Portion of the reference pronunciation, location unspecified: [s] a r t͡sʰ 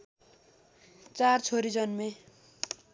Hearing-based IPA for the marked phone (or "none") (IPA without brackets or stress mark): t͡s